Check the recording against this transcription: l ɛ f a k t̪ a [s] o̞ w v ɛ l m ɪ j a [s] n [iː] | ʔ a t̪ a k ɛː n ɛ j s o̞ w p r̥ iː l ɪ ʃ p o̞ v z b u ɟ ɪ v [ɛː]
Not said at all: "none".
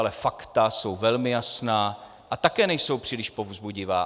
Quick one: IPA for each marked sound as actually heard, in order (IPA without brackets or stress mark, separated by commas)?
s, s, aː, aː